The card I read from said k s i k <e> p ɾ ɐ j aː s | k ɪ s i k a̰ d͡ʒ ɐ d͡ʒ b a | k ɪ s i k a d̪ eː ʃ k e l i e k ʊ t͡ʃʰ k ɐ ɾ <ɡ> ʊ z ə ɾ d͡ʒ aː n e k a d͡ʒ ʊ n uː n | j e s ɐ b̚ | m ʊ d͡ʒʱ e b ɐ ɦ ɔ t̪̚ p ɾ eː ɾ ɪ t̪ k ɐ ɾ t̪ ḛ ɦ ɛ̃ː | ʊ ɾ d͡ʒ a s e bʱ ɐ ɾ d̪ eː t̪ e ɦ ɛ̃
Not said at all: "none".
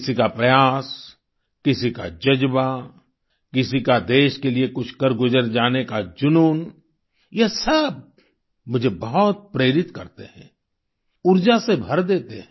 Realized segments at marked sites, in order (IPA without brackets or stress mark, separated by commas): a, ɡ